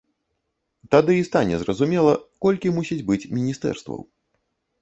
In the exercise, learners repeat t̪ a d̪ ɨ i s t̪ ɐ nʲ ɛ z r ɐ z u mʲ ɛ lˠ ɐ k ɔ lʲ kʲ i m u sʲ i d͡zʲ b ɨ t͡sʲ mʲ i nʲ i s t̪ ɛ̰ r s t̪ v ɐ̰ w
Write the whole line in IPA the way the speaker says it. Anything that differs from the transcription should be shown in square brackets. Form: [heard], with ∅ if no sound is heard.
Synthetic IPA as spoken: t̪ a d̪ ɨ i s t̪ [a] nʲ ɛ z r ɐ z u mʲ ɛ lˠ ɐ k ɔ lʲ kʲ i m u sʲ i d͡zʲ b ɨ t͡sʲ mʲ i nʲ i s t̪ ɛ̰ r s t̪ v ɐ̰ w